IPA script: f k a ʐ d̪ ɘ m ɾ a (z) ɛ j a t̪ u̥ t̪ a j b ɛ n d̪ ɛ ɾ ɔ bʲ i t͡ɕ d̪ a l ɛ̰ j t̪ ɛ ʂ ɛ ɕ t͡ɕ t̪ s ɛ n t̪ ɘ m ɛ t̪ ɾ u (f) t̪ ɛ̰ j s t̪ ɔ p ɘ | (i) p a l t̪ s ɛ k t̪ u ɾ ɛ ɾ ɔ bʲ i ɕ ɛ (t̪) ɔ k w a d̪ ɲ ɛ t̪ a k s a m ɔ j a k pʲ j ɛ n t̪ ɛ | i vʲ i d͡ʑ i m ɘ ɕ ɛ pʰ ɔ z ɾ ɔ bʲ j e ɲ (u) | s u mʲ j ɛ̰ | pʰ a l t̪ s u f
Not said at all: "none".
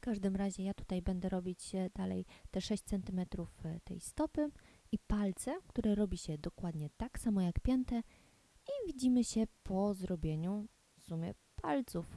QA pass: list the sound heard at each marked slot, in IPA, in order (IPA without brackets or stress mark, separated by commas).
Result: ʑ, f, i, d̪, u